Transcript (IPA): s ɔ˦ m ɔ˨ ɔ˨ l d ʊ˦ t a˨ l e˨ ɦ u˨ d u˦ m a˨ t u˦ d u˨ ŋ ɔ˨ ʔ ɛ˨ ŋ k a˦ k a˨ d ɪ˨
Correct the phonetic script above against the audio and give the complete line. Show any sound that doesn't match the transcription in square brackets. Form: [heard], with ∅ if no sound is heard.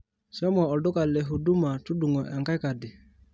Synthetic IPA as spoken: s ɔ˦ m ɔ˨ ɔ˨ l d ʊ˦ [k] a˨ l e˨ ɦ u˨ d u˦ m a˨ t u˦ d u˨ ŋ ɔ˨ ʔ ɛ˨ ŋ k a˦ k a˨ d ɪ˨